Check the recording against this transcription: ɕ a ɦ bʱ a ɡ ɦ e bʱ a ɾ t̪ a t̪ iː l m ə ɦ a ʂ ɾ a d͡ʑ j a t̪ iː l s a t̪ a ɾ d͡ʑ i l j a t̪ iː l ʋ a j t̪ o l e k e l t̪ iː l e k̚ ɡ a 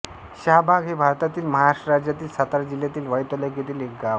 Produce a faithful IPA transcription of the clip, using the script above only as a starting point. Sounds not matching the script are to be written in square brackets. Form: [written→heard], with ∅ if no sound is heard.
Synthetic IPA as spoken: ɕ a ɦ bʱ a ɡ ɦ e bʱ a ɾ t̪ a t̪ iː l m ə ɦ a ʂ ɾ a d͡ʑ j a t̪ iː l s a t̪ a ɾ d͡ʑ i l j a t̪ iː l ʋ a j t̪ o l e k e [l→∅] t̪ iː l e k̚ ɡ a

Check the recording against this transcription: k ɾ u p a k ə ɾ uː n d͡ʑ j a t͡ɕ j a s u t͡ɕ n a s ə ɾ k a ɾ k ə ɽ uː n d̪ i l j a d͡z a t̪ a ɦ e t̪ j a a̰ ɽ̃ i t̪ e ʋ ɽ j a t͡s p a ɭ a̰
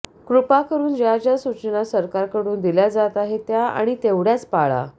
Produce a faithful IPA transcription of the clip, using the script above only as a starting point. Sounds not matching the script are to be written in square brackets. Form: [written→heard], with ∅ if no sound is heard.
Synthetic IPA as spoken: k ɾ u p a k ə ɾ uː n d͡ʑ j a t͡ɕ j a s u t͡ɕ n a s ə ɾ k a ɾ k ə ɽ uː n d̪ i l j a d͡z a t̪ a ɦ e t̪ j a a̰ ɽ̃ i t̪ e ʋ ɽ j a t͡s p a ɭ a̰

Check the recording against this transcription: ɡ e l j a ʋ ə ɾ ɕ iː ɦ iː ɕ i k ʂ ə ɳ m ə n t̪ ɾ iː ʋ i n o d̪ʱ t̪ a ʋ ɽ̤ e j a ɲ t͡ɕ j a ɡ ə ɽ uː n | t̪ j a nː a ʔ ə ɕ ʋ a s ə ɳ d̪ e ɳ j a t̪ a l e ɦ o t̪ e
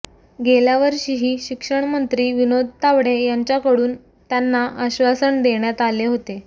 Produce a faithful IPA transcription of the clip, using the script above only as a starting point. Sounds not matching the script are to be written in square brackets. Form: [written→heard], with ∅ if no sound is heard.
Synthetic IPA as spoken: ɡ e l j a ʋ ə ɾ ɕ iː ɦ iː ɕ i k ʂ ə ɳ m ə n t̪ ɾ iː ʋ i n o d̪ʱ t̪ a ʋ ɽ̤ e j a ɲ t͡ɕ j a [ɡ→k] ə ɽ uː n | t̪ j a nː a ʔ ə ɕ ʋ a s ə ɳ d̪ e ɳ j a t̪ a l e ɦ o t̪ e

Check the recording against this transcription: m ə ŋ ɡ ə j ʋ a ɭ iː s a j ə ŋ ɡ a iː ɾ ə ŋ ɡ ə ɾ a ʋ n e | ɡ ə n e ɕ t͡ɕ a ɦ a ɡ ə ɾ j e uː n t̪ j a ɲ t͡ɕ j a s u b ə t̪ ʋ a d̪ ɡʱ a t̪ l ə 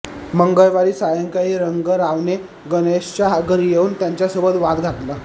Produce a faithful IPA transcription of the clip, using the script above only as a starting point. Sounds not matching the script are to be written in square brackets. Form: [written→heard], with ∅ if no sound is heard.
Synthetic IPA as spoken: m ə ŋ ɡ ə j ʋ a [ɭ→ɾ] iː s a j ə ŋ [ɡ→k] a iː ɾ ə ŋ ɡ ə ɾ a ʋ n e | ɡ ə n e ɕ t͡ɕ a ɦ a ɡ ə ɾ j e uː n t̪ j a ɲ t͡ɕ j a s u b ə t̪ ʋ a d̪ ɡʱ a t̪ l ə

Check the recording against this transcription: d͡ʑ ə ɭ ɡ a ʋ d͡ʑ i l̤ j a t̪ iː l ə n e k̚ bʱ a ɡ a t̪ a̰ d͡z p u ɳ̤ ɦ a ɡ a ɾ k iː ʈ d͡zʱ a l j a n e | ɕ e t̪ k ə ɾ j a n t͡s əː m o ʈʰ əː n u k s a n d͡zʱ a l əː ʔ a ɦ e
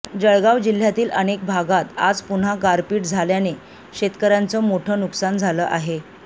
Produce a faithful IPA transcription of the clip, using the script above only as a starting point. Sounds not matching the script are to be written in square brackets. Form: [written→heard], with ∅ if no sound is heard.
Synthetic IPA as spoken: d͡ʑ ə ɭ ɡ a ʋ d͡ʑ i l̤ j a t̪ iː l ə n e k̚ bʱ a ɡ a t̪ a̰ d͡z p u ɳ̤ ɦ a ɡ a ɾ [k→p] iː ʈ d͡zʱ a l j a n e | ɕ e t̪ k ə ɾ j a n t͡s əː m o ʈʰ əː n u k s a n d͡zʱ a l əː ʔ a ɦ e

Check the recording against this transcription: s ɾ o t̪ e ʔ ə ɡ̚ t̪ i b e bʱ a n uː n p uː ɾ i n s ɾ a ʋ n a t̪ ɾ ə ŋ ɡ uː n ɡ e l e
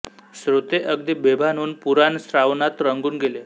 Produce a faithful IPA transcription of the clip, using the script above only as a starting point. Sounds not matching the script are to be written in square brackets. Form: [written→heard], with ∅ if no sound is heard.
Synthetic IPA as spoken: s ɾ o t̪ e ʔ ə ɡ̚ [t̪→d̪] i b e bʱ a n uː n p [uː→u] ɾ [i→a] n s ɾ a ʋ n a t̪ ɾ ə ŋ ɡ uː n ɡ e l e

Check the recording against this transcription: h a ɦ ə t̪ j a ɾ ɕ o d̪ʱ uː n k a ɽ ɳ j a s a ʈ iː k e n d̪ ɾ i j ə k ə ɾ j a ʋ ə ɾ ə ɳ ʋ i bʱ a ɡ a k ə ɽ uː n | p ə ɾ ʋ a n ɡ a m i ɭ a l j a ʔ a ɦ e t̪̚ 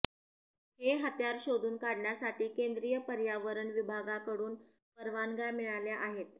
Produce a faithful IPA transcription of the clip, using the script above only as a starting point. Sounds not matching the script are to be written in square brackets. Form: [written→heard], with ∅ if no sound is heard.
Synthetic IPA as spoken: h [a→e] ɦ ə t̪ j a ɾ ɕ o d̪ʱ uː n k a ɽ ɳ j a s a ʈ iː k e n d̪ ɾ i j ə [k→p] ə ɾ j a ʋ ə ɾ ə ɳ ʋ i bʱ a ɡ a k ə ɽ uː n | p ə ɾ ʋ a n ɡ a m i ɭ a l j a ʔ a ɦ e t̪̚

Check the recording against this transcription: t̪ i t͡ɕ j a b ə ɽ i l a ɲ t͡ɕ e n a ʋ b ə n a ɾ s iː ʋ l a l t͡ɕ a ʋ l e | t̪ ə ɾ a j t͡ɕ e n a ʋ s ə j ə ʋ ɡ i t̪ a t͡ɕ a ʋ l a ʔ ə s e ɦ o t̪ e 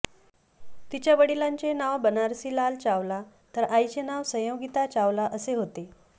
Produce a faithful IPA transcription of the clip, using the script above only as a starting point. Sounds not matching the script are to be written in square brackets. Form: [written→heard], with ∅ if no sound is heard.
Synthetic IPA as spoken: t̪ i t͡ɕ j a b ə ɽ i l a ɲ t͡ɕ e n a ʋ b ə n a ɾ s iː [ʋ→∅] l a l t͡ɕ a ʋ l [e→a] | t̪ ə ɾ a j t͡ɕ e n a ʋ s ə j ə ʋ ɡ i t̪ a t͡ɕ a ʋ l a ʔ ə s e ɦ o t̪ e

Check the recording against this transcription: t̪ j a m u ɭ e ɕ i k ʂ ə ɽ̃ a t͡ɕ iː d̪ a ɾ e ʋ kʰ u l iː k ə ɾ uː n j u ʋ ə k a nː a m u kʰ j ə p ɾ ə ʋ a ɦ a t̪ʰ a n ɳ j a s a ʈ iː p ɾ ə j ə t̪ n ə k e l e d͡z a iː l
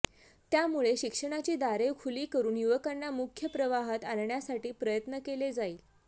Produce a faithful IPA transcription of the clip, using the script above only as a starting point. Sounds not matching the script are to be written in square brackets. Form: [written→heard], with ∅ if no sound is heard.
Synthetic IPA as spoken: t̪ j a m u ɭ e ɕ i k ʂ ə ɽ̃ a t͡ɕ iː d̪ a ɾ e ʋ kʰ u l iː k ə ɾ uː n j u ʋ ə k a nː a m u kʰ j ə p ɾ ə ʋ a ɦ a [t̪ʰ→t̪] a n ɳ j a s a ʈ iː p ɾ ə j ə t̪ n ə k e l e d͡z a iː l

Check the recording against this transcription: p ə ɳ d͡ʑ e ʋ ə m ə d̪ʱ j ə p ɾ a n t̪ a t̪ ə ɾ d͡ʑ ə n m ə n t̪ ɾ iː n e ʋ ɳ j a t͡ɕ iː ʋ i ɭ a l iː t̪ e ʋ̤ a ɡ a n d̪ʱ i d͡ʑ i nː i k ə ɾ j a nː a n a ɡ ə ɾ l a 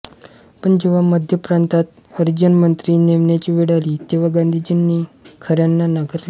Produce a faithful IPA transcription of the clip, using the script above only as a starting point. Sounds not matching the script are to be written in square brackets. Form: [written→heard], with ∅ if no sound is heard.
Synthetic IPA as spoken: p ə ɳ d͡ʑ e ʋ [ə→a] m ə d̪ʱ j ə p ɾ a n t̪ a t̪ ə ɾ d͡ʑ ə n m ə n t̪ ɾ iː n e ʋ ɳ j a t͡ɕ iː ʋ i [ɭ→ɽ] a l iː t̪ e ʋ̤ a ɡ a n d̪ʱ i d͡ʑ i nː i [k→kʰ] ə ɾ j a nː a n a ɡ ə ɾ l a

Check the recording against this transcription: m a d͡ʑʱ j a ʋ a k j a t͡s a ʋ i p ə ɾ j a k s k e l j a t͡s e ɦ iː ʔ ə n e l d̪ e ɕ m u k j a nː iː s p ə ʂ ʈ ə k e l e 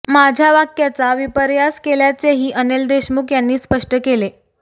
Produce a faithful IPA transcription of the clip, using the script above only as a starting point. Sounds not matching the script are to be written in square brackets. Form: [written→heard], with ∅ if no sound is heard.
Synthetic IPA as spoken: m a d͡ʑʱ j a ʋ a k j a t͡s a ʋ i p ə ɾ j a [k→∅] s k e l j a t͡s e ɦ iː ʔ ə n e l d̪ e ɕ m u k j a nː iː s p ə ʂ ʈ ə k e l e

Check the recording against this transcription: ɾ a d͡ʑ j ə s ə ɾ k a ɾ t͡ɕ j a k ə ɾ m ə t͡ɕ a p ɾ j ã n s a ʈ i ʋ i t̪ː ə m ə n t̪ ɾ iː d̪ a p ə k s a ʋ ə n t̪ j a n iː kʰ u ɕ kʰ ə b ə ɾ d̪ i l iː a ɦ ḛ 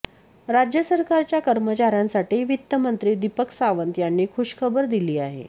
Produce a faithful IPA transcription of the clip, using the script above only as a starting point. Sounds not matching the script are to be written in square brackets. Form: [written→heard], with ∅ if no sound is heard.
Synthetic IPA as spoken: ɾ a d͡ʑ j ə s ə ɾ k a ɾ t͡ɕ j a k ə ɾ m ə t͡ɕ a [p→∅] ɾ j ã n s a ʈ [i→iː] ʋ i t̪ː ə m ə n t̪ ɾ iː d̪ [a→i] p ə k s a ʋ ə n t̪ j a [n→nː] iː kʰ u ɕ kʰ ə b ə ɾ d̪ i l iː a ɦ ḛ

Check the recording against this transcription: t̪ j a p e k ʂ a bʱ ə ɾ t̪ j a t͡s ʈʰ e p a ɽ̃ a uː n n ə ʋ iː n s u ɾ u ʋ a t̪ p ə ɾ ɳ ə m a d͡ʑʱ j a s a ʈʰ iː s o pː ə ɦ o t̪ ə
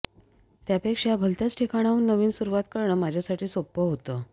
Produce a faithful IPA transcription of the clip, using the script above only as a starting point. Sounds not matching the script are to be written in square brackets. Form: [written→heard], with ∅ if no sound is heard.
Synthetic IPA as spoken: t̪ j a p e k ʂ a bʱ ə [ɾ→l] t̪ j a t͡s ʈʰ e [p→k] a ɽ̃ a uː n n ə ʋ iː n s u ɾ u ʋ a t̪ [p→k] ə ɾ ɳ ə m a d͡ʑʱ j a s a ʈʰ iː s o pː ə ɦ o t̪ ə

